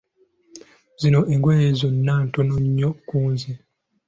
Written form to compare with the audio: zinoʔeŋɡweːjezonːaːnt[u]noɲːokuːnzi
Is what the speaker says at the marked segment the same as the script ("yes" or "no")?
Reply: no